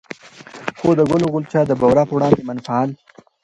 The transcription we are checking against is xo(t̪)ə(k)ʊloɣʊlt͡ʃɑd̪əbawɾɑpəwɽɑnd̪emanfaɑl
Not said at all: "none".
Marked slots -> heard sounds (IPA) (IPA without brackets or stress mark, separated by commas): d̪, ɡ